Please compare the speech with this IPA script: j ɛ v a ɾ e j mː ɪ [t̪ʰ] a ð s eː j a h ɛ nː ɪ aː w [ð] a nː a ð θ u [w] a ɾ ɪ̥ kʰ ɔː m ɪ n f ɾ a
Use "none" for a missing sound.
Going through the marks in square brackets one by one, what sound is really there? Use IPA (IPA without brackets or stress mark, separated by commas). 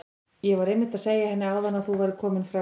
t̪, ð, v